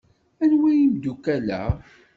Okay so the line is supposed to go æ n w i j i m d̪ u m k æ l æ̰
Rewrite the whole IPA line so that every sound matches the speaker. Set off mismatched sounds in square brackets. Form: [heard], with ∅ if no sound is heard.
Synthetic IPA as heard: æ n w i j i m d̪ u [∅] k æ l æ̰